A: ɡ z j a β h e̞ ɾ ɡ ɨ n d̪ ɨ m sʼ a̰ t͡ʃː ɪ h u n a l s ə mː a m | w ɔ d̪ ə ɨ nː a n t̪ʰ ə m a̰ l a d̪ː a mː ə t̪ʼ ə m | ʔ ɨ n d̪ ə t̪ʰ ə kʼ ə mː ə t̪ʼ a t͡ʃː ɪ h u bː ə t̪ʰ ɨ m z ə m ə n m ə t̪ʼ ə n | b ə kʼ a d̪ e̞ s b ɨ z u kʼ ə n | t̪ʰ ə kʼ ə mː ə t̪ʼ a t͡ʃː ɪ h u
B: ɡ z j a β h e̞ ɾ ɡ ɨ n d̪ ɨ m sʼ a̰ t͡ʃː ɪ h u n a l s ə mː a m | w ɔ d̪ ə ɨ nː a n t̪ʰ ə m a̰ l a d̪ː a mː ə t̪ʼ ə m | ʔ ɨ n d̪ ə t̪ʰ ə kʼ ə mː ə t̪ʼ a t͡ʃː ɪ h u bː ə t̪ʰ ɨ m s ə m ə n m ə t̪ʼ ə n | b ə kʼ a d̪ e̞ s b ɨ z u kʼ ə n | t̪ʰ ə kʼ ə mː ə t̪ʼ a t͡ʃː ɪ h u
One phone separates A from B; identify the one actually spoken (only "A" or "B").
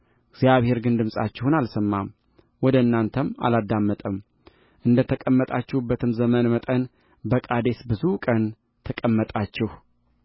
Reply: A